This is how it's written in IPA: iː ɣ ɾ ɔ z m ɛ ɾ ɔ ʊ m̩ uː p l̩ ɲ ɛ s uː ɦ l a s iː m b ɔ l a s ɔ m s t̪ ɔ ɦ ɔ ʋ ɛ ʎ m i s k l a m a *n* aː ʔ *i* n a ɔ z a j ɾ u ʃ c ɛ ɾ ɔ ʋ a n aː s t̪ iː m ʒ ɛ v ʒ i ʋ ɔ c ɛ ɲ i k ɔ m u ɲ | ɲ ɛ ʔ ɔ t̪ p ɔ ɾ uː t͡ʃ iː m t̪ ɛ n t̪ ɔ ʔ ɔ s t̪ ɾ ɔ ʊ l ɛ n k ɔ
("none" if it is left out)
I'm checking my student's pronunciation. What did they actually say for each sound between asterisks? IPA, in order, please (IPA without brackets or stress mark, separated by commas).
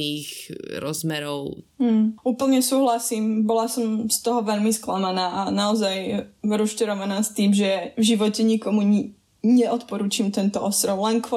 n, a